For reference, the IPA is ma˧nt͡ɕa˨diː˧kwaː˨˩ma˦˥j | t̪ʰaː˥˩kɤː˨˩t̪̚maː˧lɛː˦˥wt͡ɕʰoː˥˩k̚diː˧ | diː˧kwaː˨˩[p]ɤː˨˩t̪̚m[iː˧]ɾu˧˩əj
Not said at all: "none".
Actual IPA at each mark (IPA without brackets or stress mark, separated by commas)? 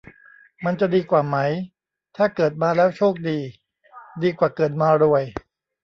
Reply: k, aː˧